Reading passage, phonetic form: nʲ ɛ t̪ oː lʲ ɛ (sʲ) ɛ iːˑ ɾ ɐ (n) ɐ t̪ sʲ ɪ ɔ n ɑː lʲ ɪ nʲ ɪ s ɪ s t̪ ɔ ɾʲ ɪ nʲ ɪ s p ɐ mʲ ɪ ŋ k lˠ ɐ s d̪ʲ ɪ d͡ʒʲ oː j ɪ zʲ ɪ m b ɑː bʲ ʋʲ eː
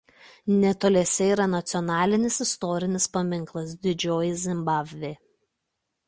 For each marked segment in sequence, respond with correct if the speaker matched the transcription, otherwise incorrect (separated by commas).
correct, correct